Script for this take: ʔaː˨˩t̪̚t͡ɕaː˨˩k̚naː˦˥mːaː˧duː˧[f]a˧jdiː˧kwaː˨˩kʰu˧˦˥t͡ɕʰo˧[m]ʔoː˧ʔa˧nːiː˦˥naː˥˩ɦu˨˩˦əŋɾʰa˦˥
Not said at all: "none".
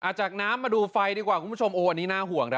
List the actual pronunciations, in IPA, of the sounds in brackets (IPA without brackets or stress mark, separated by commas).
f, m